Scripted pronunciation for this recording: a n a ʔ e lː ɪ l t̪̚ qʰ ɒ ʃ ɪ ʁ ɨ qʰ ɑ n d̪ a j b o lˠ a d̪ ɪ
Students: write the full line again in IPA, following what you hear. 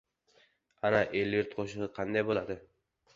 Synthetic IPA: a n a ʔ e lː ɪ ɾ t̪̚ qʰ o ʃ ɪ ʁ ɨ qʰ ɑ n d̪ a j b o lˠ a d̪ ɪ